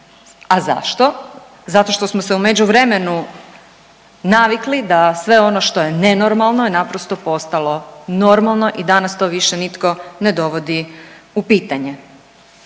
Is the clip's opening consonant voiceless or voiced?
voiced